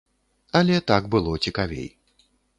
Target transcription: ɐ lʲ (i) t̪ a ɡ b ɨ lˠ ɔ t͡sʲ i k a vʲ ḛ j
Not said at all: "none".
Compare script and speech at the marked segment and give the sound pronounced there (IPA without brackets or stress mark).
ɛ